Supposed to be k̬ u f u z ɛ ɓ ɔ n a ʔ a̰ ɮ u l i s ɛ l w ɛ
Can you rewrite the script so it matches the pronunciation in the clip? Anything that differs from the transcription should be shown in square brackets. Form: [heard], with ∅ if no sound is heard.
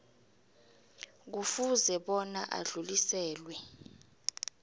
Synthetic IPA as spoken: k̬ u f u z ɛ ɓ ɔ n a ʔ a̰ ɮ u l i s [ɛː] l w ɛ